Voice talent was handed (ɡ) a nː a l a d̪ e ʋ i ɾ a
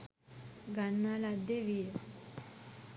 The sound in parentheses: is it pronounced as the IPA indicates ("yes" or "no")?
yes